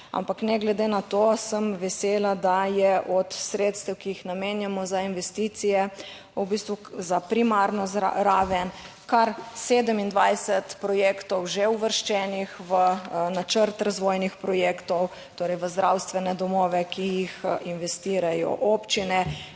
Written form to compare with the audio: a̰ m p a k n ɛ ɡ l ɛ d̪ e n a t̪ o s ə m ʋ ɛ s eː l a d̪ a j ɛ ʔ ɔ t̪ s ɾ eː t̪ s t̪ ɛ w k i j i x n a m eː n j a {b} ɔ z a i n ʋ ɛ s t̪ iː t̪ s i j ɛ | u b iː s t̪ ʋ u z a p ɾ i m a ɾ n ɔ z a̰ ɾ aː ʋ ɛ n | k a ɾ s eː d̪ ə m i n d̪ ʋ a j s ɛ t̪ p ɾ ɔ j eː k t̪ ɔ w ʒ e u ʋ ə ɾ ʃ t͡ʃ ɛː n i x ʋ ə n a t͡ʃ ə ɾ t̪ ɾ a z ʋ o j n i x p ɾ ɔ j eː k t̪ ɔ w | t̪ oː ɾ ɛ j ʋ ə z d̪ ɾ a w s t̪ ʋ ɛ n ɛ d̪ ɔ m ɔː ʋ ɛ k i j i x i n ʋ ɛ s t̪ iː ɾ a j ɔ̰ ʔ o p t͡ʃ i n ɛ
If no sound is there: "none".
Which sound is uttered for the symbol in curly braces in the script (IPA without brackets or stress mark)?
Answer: m